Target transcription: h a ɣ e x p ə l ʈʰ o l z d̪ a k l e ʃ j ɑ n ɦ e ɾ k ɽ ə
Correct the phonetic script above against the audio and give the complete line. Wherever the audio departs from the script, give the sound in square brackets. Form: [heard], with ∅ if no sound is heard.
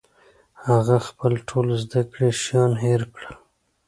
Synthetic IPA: h a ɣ [a] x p ə l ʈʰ o l z d̪ a k [ɽ] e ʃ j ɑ n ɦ e ɾ k ɽ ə

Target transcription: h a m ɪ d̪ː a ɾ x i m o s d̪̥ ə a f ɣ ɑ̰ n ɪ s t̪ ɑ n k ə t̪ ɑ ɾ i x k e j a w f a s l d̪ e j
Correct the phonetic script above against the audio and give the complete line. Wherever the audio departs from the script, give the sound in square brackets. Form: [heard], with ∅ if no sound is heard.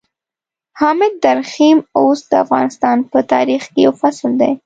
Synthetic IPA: h [ɑ] m ɪ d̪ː a ɾ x i m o s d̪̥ ə a f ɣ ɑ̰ n ɪ s t̪ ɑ n [p] ə t̪ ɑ ɾ i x k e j a w f a s l d̪ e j

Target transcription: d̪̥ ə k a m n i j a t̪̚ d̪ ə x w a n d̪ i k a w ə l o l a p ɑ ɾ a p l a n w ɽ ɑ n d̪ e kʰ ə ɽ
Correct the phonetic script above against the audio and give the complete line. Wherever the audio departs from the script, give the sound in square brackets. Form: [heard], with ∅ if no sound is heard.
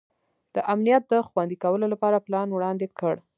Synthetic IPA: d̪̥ ə [ʔ] a m n i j a t̪̚ d̪ ə x w a n d̪ i k a w ə l o l a p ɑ ɾ a p l [ɑ] n w ɽ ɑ n d̪ e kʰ ə ɽ

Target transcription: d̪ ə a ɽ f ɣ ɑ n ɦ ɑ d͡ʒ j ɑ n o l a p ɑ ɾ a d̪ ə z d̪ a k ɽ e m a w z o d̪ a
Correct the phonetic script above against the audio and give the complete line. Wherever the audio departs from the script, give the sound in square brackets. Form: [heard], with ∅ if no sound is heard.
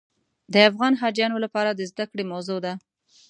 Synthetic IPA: d̪ ə a [∅] f ɣ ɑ n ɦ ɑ d͡ʒ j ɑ n o l a p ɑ ɾ a d̪ ə z d̪ a k ɽ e m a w z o d̪ a

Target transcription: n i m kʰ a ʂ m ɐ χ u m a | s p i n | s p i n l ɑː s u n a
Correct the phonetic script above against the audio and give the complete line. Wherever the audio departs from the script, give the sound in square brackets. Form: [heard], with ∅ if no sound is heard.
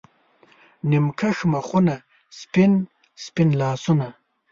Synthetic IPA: n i m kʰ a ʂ m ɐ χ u [n] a | s p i n | s p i n l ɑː s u n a

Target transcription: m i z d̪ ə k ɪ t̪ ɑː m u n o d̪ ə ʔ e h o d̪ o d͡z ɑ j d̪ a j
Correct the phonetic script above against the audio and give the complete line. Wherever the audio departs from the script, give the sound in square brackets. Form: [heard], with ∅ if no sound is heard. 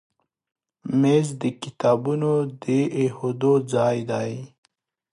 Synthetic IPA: m [e] z d̪ ə k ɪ t̪ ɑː [b] u n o d̪ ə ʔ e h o d̪ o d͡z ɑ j d̪ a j

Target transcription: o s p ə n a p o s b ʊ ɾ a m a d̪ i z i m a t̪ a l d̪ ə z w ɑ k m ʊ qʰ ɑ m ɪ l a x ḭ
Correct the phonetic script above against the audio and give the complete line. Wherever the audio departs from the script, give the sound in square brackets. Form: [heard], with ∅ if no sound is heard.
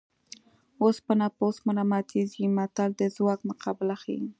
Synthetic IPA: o s p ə n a p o s [m] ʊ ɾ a m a [t̪] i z i m a t̪ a l d̪ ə z w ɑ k m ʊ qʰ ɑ [b] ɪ l a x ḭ

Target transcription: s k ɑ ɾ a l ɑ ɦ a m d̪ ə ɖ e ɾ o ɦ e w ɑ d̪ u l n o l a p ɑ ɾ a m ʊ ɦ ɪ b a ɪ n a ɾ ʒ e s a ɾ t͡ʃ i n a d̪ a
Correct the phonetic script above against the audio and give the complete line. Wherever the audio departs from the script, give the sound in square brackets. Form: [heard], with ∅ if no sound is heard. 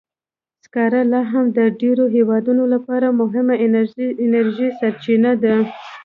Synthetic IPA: s k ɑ ɾ a l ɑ ɦ a m d̪ ə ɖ e ɾ o ɦ e w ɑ d̪ u [∅] n o l a p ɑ ɾ a m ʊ ɦ ɪ [m] a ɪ n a ɾ ʒ [i] s a ɾ t͡ʃ i n a d̪ a

